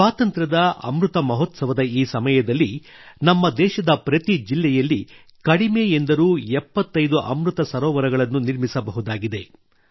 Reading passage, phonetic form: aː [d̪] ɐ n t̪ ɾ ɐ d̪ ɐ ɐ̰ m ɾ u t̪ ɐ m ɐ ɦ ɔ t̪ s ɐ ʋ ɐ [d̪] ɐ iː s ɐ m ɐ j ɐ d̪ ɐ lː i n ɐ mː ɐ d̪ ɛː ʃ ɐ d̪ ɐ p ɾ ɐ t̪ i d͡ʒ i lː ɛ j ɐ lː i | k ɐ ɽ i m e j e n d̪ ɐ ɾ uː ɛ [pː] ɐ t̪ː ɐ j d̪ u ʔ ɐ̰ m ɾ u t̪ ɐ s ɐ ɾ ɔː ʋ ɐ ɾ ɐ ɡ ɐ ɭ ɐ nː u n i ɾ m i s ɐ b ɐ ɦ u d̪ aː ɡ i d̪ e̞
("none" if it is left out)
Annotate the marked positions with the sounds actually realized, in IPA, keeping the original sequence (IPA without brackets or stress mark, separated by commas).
t̪, d̪, pː